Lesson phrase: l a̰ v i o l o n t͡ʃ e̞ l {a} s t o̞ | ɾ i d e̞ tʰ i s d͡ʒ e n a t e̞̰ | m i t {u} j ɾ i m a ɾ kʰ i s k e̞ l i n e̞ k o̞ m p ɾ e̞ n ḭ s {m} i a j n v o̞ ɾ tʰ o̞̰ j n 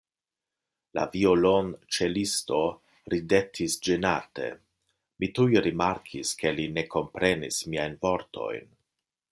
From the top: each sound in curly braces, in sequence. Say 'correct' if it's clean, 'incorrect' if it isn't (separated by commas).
incorrect, correct, correct